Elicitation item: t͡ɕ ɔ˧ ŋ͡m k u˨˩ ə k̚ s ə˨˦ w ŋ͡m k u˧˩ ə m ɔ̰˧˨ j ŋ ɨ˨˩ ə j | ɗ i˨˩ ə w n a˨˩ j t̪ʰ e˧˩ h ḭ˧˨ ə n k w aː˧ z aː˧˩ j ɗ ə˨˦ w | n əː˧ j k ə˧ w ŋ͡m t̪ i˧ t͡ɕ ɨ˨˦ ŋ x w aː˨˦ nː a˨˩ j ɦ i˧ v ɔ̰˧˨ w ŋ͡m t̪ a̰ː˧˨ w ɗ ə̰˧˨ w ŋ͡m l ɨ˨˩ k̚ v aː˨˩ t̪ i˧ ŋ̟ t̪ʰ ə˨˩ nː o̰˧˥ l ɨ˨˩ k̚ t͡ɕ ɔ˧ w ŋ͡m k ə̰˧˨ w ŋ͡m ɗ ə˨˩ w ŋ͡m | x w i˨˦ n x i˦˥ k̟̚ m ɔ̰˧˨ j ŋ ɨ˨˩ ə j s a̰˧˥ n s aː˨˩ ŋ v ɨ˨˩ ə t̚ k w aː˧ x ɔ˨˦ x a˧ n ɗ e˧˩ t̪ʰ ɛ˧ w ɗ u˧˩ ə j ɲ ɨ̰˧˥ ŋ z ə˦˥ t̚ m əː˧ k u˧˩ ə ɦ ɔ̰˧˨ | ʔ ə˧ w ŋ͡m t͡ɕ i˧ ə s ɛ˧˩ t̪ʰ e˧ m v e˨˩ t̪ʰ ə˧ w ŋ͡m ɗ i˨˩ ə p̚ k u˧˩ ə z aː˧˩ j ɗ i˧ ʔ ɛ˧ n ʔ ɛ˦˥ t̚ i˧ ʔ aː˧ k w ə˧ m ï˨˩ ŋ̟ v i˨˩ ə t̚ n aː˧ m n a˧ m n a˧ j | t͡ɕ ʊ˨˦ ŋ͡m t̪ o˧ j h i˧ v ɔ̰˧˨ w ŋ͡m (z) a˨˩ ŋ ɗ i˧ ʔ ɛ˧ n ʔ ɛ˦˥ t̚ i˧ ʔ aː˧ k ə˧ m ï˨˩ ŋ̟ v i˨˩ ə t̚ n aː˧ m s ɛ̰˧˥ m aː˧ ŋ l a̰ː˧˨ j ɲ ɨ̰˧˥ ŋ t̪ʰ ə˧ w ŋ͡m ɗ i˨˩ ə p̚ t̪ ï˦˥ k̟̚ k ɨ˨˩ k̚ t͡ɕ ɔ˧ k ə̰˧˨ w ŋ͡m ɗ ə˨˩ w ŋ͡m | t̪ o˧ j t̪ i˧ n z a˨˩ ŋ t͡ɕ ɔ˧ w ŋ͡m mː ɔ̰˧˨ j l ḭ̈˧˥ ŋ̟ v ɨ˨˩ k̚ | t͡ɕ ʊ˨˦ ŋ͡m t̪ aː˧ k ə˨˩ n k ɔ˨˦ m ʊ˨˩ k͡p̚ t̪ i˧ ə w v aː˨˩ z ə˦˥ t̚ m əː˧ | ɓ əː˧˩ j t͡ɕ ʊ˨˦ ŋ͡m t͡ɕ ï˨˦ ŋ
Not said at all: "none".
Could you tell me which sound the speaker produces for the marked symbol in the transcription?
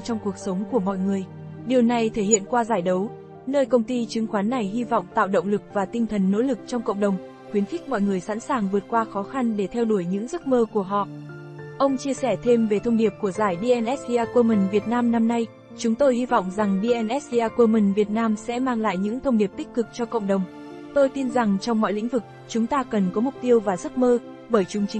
z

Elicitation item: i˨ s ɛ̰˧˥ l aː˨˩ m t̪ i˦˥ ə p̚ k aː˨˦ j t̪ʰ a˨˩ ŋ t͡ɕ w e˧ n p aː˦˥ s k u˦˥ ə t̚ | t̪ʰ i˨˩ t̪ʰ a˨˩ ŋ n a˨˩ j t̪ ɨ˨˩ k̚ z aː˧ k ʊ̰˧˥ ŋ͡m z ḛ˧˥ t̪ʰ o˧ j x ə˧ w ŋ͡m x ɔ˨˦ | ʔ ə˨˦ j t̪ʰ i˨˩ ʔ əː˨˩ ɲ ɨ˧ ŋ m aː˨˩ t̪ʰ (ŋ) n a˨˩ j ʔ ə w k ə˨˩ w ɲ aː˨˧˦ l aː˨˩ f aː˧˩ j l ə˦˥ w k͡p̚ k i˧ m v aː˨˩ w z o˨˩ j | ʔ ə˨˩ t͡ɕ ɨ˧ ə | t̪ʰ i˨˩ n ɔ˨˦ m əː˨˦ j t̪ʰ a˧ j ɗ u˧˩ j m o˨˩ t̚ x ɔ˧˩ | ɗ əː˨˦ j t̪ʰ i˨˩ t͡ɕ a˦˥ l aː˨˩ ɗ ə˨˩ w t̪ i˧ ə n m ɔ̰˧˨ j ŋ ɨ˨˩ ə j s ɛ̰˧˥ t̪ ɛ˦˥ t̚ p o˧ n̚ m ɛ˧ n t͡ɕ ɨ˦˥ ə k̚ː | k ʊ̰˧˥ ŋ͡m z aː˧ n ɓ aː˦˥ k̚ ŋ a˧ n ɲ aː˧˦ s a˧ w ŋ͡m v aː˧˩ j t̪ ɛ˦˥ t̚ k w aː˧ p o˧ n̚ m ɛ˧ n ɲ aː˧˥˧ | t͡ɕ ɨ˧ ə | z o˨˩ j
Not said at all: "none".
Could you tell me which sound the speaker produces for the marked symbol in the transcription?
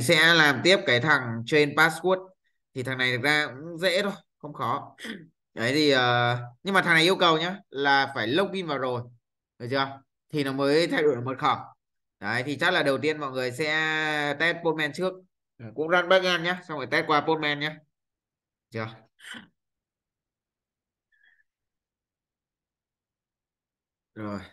ŋ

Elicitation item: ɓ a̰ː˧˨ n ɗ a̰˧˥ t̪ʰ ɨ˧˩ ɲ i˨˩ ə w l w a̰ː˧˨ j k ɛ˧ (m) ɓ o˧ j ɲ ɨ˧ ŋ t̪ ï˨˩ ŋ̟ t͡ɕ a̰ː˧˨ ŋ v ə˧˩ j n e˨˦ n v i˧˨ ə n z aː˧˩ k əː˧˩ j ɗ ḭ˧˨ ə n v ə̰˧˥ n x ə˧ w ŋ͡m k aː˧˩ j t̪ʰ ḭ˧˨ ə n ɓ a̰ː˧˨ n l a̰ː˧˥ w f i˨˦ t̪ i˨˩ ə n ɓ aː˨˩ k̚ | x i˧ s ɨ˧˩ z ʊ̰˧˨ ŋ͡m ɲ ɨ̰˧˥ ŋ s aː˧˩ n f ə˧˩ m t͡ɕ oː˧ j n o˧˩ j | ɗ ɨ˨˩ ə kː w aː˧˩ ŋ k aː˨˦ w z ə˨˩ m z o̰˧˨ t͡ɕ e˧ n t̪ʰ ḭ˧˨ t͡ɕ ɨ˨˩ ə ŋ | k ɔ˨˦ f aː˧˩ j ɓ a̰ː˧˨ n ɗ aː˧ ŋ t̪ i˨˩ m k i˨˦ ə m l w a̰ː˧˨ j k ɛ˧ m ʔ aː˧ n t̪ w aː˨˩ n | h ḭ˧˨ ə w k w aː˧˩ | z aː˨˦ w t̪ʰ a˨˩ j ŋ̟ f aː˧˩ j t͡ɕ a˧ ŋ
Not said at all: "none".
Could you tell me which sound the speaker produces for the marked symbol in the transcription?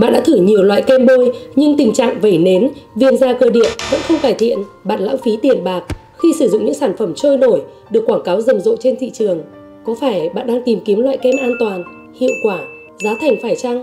m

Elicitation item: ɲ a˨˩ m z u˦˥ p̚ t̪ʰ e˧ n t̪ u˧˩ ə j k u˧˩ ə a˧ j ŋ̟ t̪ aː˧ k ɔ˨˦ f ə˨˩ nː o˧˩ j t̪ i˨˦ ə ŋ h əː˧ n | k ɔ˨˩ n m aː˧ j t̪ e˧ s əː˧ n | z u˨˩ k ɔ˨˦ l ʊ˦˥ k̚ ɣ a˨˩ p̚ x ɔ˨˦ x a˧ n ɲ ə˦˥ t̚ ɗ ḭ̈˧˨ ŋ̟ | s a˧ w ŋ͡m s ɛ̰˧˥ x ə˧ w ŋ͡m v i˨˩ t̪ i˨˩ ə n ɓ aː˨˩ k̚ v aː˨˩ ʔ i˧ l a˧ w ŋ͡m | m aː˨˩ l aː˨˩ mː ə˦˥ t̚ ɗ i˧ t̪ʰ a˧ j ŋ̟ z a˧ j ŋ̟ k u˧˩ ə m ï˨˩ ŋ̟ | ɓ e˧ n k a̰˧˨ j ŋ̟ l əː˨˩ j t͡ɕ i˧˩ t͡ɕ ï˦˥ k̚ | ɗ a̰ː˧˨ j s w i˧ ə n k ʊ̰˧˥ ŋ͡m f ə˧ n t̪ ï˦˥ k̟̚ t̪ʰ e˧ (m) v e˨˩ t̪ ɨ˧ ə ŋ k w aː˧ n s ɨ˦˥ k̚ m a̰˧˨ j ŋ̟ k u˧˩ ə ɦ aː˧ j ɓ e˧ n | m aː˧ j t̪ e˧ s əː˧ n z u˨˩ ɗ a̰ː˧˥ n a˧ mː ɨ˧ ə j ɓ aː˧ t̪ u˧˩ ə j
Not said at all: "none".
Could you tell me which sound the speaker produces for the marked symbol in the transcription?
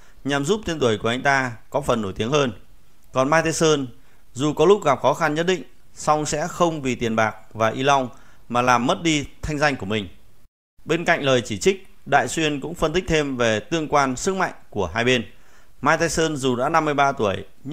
m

